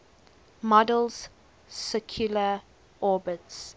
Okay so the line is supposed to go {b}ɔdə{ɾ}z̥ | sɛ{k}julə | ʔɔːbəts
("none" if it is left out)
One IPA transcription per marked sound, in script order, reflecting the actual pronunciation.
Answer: m, l, kʰ

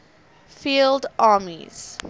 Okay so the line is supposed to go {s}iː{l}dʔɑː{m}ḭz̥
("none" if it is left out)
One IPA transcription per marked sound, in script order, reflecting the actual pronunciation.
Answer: f, l, m

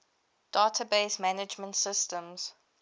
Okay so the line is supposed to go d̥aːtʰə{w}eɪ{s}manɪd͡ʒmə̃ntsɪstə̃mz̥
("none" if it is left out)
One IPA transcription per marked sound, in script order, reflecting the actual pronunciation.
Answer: b, s

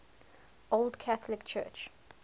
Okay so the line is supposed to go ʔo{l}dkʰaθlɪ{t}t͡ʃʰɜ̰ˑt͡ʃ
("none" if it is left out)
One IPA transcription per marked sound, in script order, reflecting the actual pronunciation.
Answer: l, k

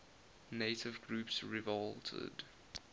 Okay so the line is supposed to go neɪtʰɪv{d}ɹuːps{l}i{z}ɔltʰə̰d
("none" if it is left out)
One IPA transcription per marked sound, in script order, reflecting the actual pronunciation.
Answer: ɡ, ɹ, v

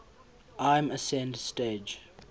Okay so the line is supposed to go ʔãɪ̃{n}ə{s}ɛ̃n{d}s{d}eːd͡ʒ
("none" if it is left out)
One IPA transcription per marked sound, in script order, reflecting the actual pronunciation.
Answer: m, s, d, t

